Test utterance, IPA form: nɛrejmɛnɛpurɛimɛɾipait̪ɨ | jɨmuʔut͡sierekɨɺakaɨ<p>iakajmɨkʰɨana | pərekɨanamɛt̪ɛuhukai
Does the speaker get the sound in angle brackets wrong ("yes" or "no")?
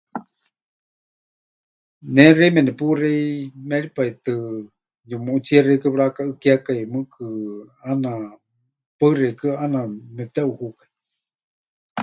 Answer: yes